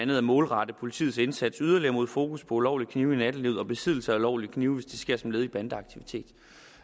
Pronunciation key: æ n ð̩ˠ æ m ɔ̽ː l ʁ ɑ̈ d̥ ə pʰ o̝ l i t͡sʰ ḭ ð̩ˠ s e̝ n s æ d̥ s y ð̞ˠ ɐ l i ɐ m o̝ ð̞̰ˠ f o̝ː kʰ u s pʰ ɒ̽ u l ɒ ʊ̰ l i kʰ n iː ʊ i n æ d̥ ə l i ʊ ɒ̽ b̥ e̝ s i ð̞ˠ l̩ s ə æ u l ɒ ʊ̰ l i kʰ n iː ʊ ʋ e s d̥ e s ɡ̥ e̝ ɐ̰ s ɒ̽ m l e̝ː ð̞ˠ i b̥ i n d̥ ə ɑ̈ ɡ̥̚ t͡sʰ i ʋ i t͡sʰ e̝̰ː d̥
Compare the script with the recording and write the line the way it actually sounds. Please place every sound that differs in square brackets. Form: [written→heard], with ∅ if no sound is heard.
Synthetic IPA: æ n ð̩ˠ æ m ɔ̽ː l ʁ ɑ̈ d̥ ə pʰ o̝ l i t͡sʰ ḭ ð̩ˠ s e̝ n s æ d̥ s y ð̞ˠ ɐ l i ɐ m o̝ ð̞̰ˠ f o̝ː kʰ u s pʰ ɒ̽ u l ɒ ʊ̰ l i kʰ n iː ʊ i n æ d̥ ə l i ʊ ɒ̽ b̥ e̝ s i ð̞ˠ l̩ s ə æ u l ɒ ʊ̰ l i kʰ n iː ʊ ʋ e s d̥ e s ɡ̥ e̝ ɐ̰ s ɒ̽ m l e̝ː ð̞ˠ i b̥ [i→æ] n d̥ ə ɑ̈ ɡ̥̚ t͡sʰ i ʋ i t͡sʰ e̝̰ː d̥

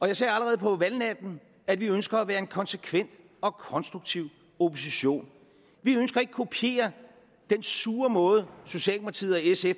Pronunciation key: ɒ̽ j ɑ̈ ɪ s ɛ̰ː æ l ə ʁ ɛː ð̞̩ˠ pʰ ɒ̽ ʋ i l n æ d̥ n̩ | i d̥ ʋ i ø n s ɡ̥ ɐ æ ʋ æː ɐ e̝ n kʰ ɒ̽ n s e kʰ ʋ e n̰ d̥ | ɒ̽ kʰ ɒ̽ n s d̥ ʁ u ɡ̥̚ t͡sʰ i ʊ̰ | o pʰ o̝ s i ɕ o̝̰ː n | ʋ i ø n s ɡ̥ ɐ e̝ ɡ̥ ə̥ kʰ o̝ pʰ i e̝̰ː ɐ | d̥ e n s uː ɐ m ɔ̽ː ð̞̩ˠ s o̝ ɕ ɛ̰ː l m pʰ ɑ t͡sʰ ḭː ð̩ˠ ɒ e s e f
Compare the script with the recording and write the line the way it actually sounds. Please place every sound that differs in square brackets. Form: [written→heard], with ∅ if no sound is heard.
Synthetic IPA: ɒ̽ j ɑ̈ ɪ s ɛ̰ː æ l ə ʁ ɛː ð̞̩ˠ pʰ ɒ̽ ʋ [i→æ] l n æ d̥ n̩ | [i→æ] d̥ ʋ i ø n s ɡ̥ ɐ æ ʋ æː ɐ e̝ n kʰ ɒ̽ n s e kʰ ʋ e n̰ d̥ | ɒ̽ kʰ ɒ̽ n s d̥ ʁ u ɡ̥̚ t͡sʰ i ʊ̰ | o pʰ o̝ s i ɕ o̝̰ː n | ʋ i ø n s ɡ̥ ɐ e̝ ɡ̥ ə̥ kʰ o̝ pʰ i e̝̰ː ɐ | d̥ e n s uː ɐ m ɔ̽ː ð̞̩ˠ s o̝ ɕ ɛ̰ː l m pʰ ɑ t͡sʰ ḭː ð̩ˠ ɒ e s e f

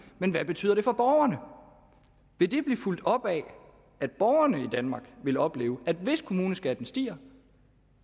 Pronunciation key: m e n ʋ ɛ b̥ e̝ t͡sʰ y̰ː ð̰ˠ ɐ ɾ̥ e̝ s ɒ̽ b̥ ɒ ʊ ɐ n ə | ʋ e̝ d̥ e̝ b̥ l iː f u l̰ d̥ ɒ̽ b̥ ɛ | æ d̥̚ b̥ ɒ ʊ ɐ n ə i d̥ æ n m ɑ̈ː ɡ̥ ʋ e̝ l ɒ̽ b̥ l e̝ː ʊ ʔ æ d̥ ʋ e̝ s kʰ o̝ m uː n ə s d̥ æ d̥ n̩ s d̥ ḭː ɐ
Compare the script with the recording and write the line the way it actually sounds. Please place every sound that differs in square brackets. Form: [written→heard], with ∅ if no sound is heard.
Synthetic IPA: m e n ʋ [ɛ→æ] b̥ e̝ t͡sʰ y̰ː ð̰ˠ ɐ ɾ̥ e̝ [s→f] ɒ̽ b̥ ɒ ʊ ɐ n ə | ʋ e̝ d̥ e̝ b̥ l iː f u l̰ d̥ ɒ̽ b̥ ɛ | æ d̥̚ b̥ ɒ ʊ ɐ n ə i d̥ æ n m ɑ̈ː ɡ̥ ʋ e̝ l ɒ̽ b̥ l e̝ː ʊ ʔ æ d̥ ʋ e̝ s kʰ o̝ m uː n ə s [d̥→ɡ̥] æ d̥ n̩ s d̥ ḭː ɐ

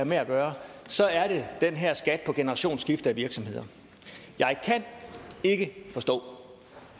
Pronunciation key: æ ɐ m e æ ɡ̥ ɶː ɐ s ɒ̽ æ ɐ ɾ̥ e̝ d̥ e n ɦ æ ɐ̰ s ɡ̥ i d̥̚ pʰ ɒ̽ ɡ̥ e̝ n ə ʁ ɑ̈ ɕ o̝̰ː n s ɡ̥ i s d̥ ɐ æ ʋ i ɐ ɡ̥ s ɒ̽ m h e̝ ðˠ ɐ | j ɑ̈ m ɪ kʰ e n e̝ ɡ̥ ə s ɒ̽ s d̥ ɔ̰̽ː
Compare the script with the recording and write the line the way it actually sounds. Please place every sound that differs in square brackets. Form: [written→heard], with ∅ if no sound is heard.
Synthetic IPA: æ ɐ m e æ ɡ̥ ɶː ɐ s ɒ̽ æ ɐ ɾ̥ e̝ d̥ e n ɦ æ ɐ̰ s ɡ̥ [i→æ] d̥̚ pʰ ɒ̽ ɡ̥ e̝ n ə ʁ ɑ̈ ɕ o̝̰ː n s ɡ̥ i [s→f] d̥ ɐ æ ʋ i ɐ ɡ̥ s ɒ̽ m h e̝ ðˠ ɐ | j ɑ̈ [m→∅] ɪ kʰ [e→æ] n e̝ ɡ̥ ə [s→f] ɒ̽ s d̥ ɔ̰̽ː

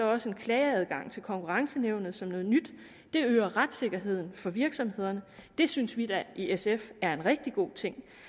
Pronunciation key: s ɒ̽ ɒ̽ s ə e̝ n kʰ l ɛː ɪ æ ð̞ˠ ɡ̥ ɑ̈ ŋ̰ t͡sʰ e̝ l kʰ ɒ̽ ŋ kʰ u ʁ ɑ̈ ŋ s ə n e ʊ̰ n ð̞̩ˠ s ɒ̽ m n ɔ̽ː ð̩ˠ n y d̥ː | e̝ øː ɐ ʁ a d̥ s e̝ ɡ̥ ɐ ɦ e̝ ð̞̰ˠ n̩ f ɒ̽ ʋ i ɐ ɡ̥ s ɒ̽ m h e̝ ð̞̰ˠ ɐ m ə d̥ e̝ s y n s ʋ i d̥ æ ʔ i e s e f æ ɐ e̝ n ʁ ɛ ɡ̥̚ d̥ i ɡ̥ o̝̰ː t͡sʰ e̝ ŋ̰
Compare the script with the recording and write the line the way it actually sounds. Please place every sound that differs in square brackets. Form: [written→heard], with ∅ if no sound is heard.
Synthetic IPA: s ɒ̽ ɒ̽ s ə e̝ n kʰ l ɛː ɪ æ ð̞ˠ ɡ̥ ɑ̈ ŋ̰ t͡sʰ e̝ l kʰ ɒ̽ ŋ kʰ u ʁ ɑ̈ ŋ s ə n e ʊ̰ n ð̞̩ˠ s ɒ̽ m n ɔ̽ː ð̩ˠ n y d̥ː | e̝ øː ɐ ʁ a d̥ s e̝ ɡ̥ ɐ ɦ e̝ ð̞̰ˠ n̩ f ɒ̽ ʋ i ɐ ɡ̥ s ɒ̽ m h e̝ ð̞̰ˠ ɐ [m→n] ə d̥ e̝ s y n s ʋ i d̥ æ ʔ i e s e f æ ɐ e̝ n ʁ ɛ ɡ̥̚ d̥ i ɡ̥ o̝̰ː t͡sʰ e̝ ŋ̰

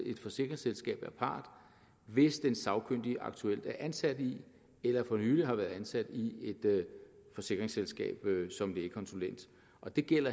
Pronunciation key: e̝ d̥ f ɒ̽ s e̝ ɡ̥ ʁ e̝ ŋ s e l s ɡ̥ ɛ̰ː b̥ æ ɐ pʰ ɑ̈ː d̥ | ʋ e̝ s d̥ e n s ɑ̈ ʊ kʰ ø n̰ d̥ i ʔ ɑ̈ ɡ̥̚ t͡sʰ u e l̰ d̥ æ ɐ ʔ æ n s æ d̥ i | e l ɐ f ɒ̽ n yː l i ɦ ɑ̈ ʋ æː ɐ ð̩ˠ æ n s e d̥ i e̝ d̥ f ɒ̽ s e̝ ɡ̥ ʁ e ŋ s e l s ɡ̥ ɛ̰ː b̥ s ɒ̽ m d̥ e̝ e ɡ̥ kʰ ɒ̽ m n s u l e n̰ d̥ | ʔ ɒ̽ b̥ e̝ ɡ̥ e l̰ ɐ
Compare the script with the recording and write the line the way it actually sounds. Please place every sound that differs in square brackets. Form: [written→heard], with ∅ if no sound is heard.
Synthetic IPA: e̝ d̥ f ɒ̽ s e̝ ɡ̥ ʁ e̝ ŋ s e l s ɡ̥ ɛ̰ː b̥ æ ɐ pʰ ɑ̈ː d̥ | ʋ e̝ s d̥ e n s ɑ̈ ʊ kʰ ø n̰ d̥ i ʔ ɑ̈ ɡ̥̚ t͡sʰ u e l̰ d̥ æ ɐ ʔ æ n s æ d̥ i | e l ɐ f ɒ̽ n yː l i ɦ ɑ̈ ʋ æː ɐ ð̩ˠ æ n s [e→æ] d̥ i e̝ d̥ f ɒ̽ s e̝ ɡ̥ ʁ e ŋ s e l s ɡ̥ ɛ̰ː b̥ s ɒ̽ m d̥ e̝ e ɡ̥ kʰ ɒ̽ [m→∅] n s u l e n̰ d̥ | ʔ ɒ̽ [b̥→d̥] e̝ ɡ̥ e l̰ ɐ

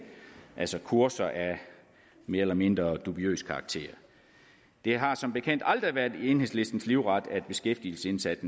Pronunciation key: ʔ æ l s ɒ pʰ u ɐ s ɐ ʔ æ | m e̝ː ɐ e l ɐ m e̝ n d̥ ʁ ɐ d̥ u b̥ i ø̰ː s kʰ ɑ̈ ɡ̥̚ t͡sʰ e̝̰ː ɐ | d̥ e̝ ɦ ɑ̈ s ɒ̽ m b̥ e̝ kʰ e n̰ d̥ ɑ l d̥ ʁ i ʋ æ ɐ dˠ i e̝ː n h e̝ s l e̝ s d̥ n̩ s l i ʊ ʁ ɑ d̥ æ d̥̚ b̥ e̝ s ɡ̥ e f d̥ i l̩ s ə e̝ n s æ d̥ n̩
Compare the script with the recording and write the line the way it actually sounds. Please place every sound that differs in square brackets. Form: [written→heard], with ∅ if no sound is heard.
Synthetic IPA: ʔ æ l s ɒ [pʰ→kʰ] u ɐ s ɐ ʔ æ | m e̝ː ɐ e l ɐ m e̝ n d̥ ʁ ɐ d̥ u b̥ i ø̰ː s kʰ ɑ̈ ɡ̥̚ t͡sʰ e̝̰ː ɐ | d̥ e̝ ɦ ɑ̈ s ɒ̽ m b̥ e̝ kʰ e n̰ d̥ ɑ l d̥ ʁ i ʋ æ ɐ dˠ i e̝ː n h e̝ s l e̝ s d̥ n̩ s l i ʊ ʁ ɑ d̥ æ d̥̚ b̥ e̝ s ɡ̥ e f d̥ i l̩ s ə e̝ n s æ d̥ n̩

